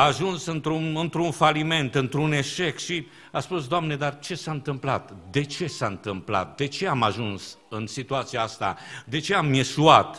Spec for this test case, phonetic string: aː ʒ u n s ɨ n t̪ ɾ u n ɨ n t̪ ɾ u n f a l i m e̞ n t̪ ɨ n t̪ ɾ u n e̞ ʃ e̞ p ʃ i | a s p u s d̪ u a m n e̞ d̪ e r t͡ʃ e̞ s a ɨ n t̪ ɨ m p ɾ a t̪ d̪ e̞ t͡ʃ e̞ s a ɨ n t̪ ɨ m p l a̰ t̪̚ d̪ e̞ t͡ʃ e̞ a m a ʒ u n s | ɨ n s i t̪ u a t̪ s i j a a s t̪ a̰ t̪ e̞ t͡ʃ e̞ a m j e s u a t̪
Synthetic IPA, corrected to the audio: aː ʒ u n s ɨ n t̪ ɾ u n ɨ n t̪ ɾ u n f a l i m e̞ n t̪ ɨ n t̪ ɾ u n e̞ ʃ e̞ k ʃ i | a s p u s d̪ o a m n e̞ d̪ a r t͡ʃ e̞ s a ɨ n t̪ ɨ m p l a t̪ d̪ e̞ t͡ʃ e̞ s a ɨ n t̪ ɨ m p l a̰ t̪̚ d̪ e̞ t͡ʃ e̞ a m a ʒ u n s | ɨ n s i t̪ u a t̪ s i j a a s t̪ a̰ d̪ e̞ t͡ʃ e̞ a m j e s u a t̪